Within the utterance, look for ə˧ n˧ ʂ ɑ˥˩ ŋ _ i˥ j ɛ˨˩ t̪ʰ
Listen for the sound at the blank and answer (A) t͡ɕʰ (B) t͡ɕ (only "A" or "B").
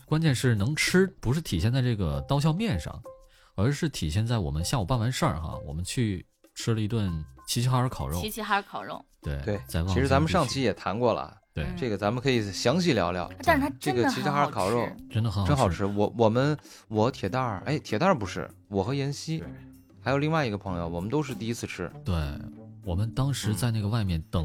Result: A